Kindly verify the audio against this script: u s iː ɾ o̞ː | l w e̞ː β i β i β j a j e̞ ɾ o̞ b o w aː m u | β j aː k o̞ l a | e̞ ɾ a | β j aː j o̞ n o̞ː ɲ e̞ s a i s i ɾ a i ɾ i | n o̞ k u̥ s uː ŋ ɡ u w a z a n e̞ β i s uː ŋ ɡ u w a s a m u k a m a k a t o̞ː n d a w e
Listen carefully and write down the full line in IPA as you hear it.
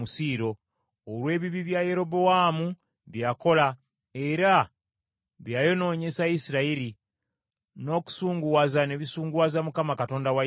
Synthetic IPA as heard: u s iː ɾ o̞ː | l w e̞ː β i β i β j a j e̞ ɾ o̞ b o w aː m u | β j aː k o̞ l a | e̞ ɾ a | β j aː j o̞ n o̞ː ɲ e̞ s a i s i ɾ a i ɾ i | n o̞ k u̥ s uː ŋ ɡ u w a z a n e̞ β i s uː ŋ ɡ u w a z a m u k a m a k a t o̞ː n d a w a